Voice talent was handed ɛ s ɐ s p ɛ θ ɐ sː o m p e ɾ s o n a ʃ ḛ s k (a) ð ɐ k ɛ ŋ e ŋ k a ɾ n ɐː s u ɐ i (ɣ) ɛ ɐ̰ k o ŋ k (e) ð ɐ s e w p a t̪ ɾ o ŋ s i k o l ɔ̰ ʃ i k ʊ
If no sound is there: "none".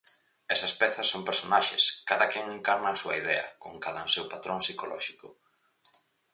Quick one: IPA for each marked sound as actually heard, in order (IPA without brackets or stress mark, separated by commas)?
a, ð, a